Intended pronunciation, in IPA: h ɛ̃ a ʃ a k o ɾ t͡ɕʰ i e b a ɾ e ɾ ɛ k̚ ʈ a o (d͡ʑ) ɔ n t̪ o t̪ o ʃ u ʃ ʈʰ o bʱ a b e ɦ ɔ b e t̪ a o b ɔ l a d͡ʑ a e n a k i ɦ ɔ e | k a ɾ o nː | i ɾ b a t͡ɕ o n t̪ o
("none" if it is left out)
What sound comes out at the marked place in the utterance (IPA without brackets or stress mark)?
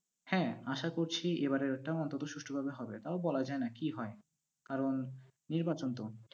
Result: none